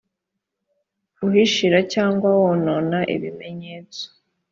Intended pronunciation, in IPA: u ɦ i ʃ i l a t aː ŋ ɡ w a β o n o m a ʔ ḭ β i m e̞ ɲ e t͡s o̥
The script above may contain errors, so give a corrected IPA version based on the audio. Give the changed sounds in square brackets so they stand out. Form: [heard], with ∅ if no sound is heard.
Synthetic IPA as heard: u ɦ i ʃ i [ɾ] a [c] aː ŋ ɡ w a [w] o n o [n] a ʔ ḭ β i m e̞ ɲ e t͡s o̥